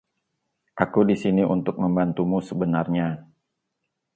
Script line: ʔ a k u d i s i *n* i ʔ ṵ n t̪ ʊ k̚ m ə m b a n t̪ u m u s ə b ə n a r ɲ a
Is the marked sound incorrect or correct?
correct